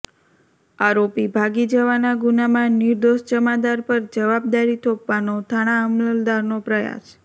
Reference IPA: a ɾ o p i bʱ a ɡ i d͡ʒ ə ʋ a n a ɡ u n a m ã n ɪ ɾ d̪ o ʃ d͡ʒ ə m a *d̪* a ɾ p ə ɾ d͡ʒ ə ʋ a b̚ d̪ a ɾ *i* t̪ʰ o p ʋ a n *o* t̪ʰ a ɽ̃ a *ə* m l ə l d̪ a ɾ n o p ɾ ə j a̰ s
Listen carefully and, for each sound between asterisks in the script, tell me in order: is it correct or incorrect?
correct, correct, correct, correct

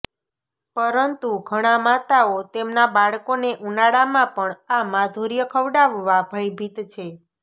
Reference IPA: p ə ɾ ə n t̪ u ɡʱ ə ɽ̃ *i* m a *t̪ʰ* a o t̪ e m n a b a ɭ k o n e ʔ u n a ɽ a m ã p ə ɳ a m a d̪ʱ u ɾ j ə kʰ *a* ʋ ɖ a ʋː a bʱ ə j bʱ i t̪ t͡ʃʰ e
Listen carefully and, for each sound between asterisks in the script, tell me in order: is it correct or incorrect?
incorrect: a, incorrect: t̪, incorrect: ə

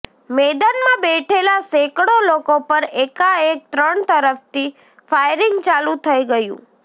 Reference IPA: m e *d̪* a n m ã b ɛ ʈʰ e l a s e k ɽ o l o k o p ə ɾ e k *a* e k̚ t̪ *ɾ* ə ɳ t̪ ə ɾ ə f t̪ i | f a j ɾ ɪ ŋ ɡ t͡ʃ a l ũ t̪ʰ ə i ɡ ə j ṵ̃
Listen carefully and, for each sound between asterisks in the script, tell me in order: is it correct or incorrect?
correct, correct, correct

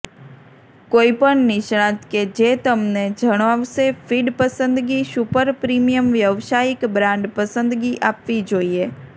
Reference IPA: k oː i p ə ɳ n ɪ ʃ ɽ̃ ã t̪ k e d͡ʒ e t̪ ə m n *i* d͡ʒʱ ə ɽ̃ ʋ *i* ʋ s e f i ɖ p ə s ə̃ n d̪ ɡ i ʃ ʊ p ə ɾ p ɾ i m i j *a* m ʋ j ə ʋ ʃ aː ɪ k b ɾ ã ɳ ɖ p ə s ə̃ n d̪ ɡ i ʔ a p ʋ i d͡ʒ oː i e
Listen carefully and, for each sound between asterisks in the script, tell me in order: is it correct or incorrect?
incorrect: e, incorrect: a, incorrect: ə

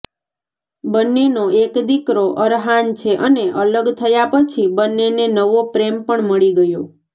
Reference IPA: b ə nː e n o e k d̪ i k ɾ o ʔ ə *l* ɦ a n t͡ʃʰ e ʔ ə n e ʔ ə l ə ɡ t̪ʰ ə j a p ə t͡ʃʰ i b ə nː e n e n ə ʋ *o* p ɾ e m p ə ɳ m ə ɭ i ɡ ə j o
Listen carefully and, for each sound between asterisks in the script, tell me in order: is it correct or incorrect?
incorrect: ɾ, correct

